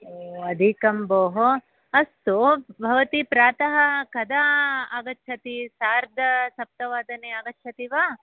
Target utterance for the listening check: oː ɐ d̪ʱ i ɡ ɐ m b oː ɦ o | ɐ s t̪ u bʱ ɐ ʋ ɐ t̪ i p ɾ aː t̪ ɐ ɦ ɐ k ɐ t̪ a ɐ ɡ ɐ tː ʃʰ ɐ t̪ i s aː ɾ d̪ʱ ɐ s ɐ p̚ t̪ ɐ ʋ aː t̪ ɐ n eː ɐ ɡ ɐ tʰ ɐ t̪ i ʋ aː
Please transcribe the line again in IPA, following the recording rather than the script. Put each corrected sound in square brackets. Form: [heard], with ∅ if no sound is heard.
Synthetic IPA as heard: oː ɐ d̪ʱ i [k] ɐ m b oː ɦ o | ɐ s t̪ u bʱ ɐ ʋ ɐ t̪ i p ɾ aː t̪ ɐ ɦ ɐ k ɐ [d̪] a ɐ ɡ ɐ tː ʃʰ ɐ t̪ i s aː ɾ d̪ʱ ɐ s ɐ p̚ t̪ ɐ ʋ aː [d̪] ɐ n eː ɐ ɡ ɐ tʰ ɐ t̪ i ʋ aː